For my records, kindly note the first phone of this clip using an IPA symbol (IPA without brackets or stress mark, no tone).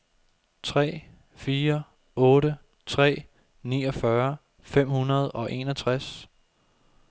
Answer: t͡sʰ